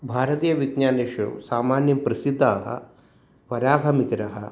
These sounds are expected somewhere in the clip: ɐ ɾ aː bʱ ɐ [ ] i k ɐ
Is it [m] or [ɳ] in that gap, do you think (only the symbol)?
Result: m